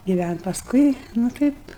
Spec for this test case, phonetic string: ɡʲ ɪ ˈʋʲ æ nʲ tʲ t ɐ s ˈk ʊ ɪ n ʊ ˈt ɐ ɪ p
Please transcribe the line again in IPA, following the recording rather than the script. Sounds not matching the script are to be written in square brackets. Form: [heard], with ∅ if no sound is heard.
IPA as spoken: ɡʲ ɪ ˈʋʲ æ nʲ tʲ [p] ɐ s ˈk ʊ ɪ n ʊ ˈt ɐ ɪ p